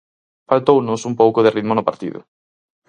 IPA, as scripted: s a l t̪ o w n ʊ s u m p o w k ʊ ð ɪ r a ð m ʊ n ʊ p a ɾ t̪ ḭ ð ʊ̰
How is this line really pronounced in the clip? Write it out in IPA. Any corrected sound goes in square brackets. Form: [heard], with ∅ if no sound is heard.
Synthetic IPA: [f] a l t̪ o w n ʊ s u m p o w k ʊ ð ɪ r [i] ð m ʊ n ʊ p a ɾ t̪ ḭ ð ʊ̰